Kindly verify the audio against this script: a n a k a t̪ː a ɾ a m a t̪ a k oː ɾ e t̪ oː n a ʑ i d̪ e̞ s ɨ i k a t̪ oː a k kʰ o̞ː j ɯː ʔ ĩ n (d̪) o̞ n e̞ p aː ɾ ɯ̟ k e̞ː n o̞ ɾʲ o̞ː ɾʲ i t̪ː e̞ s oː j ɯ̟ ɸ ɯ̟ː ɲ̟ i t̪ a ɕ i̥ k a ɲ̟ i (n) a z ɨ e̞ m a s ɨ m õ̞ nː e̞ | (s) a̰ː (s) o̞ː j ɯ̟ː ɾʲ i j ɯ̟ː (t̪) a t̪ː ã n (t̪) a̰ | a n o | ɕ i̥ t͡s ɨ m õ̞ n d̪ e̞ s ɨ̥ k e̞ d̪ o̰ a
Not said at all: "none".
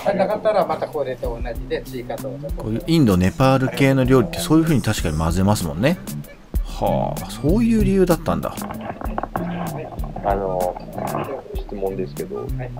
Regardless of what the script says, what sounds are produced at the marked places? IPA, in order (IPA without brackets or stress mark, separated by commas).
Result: d̪, m, h, s, d̪, d̪